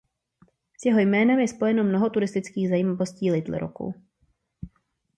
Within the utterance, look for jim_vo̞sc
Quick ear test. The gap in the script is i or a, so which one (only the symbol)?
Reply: a